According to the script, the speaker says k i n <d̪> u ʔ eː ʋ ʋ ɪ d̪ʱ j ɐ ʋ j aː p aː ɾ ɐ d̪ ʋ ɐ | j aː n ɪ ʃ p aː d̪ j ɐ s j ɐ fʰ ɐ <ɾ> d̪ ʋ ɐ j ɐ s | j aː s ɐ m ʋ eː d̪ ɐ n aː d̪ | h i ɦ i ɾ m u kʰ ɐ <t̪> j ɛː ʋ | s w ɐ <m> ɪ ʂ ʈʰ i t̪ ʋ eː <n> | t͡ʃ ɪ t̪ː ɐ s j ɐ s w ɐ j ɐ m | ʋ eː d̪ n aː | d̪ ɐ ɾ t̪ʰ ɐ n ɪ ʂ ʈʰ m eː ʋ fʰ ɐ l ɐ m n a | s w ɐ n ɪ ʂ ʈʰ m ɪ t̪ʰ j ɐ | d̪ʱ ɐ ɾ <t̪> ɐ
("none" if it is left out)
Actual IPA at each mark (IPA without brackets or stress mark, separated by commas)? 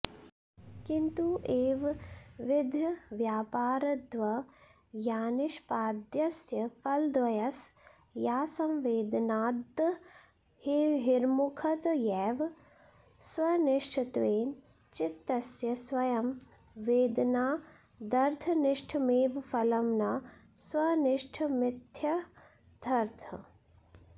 t̪, l, t̪, n, n, t̪ʰ